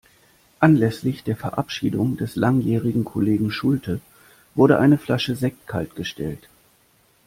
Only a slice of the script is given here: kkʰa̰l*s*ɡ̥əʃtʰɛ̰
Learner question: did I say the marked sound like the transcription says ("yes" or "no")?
no